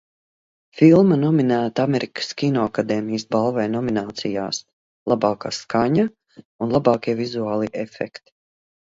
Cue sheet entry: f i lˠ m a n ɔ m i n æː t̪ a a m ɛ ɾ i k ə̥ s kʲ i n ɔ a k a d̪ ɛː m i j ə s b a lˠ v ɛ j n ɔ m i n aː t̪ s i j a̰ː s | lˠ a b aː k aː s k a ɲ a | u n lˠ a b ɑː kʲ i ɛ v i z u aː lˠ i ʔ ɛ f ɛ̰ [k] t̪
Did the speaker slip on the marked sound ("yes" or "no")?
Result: no